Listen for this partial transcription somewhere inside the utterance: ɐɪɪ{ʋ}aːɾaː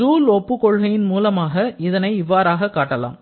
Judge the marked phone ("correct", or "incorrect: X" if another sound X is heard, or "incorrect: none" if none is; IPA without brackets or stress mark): incorrect: ʋː